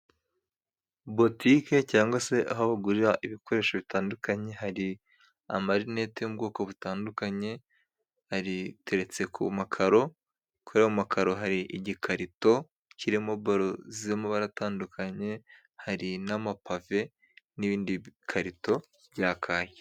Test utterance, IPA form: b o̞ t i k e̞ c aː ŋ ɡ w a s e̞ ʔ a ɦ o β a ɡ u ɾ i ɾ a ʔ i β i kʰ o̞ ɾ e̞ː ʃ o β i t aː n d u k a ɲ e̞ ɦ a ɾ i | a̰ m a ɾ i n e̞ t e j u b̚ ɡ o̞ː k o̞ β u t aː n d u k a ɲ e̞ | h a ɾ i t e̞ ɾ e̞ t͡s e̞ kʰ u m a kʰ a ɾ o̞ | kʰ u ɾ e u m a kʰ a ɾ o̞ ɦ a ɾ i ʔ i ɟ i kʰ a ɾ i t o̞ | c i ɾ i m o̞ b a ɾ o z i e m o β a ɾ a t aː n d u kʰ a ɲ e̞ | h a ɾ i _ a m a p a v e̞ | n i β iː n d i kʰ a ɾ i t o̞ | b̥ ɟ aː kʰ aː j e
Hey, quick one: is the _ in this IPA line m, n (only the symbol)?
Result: n